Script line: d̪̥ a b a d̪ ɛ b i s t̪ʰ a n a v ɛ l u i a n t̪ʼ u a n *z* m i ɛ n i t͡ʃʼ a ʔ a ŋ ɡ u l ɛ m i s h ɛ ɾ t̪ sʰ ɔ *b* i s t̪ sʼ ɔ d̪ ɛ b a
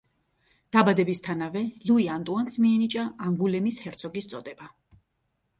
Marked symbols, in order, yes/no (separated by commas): no, no